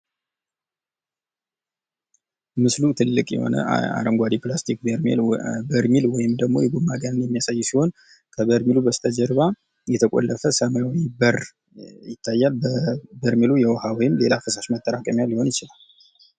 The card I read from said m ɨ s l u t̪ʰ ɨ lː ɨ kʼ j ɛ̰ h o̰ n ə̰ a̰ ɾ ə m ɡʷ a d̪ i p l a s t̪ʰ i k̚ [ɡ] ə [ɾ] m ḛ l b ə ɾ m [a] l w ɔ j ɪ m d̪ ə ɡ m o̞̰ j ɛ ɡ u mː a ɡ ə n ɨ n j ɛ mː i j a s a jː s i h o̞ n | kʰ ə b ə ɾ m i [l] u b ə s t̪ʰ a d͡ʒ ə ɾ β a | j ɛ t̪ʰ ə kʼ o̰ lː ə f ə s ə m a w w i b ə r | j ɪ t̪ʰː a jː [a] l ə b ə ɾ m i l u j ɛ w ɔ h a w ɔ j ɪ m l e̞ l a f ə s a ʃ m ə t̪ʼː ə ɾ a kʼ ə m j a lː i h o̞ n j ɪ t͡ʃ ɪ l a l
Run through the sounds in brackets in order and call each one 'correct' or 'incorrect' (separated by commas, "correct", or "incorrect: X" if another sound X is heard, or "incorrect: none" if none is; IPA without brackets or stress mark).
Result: incorrect: b, correct, incorrect: i, correct, correct